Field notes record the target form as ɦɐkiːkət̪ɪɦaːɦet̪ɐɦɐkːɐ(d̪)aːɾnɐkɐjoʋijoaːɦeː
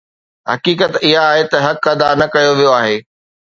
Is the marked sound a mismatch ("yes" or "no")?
no